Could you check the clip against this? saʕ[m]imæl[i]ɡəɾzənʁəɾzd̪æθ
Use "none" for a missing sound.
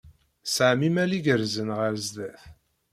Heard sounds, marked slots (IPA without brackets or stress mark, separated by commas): m, i